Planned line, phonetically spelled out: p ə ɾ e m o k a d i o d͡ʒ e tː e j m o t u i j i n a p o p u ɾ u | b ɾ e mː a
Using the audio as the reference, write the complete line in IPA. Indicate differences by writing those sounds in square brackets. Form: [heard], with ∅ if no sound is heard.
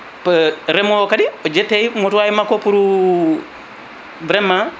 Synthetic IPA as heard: p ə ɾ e m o k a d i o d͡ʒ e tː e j m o t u [a] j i [m] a [k] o p u ɾ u | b ɾ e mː a